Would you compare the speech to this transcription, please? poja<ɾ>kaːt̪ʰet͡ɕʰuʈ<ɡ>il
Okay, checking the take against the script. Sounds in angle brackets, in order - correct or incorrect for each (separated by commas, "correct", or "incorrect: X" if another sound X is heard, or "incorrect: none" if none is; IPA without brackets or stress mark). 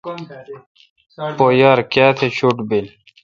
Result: correct, incorrect: b